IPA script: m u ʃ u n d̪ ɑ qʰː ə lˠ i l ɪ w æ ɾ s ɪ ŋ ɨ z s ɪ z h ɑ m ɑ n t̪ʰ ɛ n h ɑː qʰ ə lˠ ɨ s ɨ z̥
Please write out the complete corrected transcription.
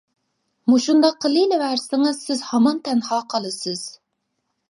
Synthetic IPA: m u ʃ u n d̪ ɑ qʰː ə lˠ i l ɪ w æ ɾ s ɪ ŋ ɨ z s ɪ z h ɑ m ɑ n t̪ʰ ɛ n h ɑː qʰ ɑ lˠ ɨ s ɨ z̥